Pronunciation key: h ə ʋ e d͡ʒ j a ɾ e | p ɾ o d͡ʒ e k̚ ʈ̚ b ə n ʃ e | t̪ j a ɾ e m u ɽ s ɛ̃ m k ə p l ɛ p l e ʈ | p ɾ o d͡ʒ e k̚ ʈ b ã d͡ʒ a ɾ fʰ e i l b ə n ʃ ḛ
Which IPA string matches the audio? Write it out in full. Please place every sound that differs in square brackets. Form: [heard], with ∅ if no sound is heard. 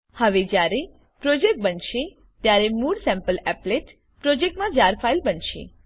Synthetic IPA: h ə ʋ e d͡ʒ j a ɾ e | p ɾ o d͡ʒ e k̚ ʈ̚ b ə n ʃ e | t̪ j a ɾ e m u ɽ s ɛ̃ m [p] ə [∅] l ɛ p l e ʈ | p ɾ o d͡ʒ e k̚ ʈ [m] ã d͡ʒ a ɾ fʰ [a] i l b ə n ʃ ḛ